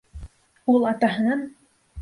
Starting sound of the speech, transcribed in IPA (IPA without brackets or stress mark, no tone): u